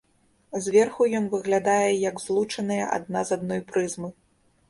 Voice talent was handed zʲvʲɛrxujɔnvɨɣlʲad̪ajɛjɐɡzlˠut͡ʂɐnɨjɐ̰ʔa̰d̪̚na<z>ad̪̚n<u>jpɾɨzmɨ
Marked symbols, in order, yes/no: yes, no

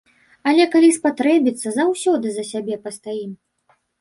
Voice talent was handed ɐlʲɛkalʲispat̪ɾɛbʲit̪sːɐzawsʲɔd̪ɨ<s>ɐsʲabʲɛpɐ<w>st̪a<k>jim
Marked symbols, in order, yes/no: no, no, no

